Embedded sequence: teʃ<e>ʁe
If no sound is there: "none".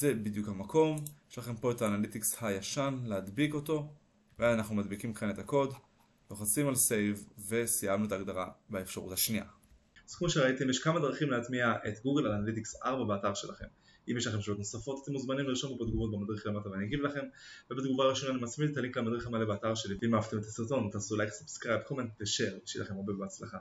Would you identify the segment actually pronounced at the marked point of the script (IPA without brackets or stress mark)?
e